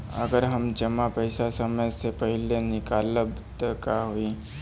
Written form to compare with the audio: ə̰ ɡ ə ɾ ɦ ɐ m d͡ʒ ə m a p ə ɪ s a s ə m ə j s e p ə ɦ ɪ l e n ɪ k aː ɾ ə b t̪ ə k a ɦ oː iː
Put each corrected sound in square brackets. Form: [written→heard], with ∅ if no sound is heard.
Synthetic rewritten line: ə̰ ɡ ə ɾ ɦ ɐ m d͡ʒ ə m a p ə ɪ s a s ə m ə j s e p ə ɦ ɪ l e n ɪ k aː [ɾ→l] ə b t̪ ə k a ɦ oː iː